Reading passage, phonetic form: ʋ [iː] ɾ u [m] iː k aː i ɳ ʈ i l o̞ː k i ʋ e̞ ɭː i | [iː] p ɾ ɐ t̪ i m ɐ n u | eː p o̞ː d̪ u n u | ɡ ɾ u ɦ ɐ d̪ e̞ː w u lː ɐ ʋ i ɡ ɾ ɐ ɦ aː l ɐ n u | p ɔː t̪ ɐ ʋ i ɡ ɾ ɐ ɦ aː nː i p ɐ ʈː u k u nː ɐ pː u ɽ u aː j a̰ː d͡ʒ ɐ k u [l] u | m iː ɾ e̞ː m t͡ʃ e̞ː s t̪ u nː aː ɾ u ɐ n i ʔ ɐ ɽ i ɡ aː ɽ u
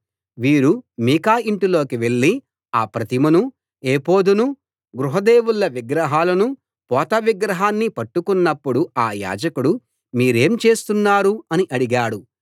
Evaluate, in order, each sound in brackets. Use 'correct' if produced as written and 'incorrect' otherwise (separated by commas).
correct, correct, incorrect, incorrect